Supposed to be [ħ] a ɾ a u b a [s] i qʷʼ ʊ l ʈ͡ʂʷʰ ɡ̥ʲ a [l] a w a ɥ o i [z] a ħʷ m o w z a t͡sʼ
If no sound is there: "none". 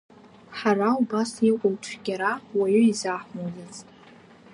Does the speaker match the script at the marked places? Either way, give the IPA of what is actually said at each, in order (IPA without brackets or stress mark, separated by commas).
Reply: ħ, s, ɾ, z